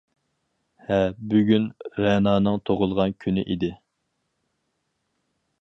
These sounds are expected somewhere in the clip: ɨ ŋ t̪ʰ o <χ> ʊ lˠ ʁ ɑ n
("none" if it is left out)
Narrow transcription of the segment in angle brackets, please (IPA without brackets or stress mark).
ʁ